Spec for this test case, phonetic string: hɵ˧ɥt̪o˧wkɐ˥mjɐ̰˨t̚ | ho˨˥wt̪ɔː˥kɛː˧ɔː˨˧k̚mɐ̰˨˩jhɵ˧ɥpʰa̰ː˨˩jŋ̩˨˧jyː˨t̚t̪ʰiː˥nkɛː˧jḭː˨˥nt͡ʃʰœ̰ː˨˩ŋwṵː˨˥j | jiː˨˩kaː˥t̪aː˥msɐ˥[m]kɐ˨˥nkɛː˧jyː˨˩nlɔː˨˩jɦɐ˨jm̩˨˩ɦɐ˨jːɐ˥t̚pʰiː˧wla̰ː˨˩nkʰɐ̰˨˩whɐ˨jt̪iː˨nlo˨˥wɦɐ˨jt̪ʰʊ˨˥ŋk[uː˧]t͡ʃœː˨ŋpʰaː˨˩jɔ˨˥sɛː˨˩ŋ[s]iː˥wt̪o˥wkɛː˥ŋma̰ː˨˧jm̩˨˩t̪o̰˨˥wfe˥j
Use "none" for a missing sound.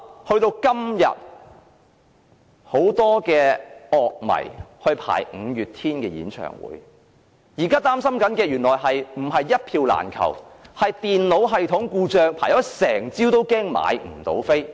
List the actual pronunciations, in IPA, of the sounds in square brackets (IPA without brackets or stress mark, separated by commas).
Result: m, uː˧, t͡s